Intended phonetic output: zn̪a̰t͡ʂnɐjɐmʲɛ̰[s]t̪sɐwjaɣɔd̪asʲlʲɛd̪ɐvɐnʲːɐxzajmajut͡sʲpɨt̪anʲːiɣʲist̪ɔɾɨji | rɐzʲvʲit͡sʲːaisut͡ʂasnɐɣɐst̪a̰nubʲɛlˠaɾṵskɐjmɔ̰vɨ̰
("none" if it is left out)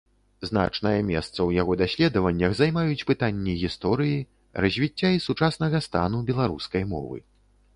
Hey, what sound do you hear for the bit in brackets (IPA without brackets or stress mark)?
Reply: s